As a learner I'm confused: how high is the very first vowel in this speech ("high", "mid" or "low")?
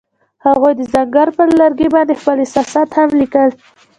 low